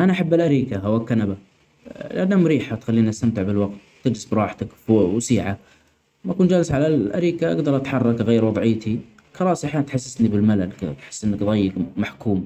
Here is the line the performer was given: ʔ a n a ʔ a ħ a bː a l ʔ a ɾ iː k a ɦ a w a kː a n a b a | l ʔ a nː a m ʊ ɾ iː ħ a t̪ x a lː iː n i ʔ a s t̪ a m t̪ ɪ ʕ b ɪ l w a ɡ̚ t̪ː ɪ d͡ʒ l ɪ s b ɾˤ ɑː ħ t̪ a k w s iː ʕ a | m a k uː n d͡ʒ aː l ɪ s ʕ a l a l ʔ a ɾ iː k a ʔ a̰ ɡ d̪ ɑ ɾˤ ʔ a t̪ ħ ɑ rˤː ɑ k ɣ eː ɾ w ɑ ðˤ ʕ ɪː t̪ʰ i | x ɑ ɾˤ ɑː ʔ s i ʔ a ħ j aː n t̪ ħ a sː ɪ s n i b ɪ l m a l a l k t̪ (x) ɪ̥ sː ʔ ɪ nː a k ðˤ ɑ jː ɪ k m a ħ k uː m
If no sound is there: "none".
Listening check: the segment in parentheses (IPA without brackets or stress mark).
ħ